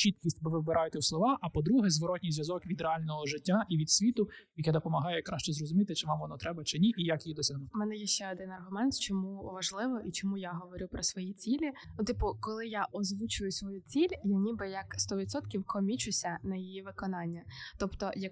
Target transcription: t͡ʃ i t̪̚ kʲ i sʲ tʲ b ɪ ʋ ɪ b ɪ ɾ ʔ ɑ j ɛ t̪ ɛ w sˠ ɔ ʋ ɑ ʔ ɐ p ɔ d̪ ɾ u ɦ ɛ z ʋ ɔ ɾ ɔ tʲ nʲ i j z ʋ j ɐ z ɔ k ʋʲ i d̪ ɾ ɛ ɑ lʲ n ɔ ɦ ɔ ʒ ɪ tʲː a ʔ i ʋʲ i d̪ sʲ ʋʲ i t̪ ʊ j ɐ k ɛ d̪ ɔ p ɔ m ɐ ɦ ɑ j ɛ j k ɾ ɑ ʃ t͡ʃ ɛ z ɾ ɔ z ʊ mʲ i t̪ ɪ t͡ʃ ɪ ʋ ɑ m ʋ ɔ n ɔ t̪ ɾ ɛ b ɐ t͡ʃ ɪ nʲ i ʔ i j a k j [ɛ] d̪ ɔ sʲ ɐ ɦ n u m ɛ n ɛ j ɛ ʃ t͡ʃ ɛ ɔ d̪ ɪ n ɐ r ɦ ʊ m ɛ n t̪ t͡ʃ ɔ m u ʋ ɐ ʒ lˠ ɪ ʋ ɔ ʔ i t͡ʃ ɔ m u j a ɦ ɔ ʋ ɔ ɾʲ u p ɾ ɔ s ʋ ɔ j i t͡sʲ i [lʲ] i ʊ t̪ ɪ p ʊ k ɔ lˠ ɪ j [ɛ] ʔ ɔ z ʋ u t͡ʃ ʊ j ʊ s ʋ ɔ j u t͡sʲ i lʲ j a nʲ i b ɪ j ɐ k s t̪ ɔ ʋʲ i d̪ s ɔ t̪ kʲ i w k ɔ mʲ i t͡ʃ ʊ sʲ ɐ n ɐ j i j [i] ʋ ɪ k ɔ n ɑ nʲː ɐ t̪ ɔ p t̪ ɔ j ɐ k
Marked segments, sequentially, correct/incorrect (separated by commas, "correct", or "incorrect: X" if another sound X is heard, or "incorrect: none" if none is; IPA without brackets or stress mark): incorrect: i, correct, incorrect: a, correct